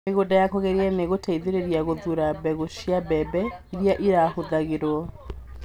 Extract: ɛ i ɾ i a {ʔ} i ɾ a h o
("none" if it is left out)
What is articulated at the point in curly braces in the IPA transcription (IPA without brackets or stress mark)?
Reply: ʔ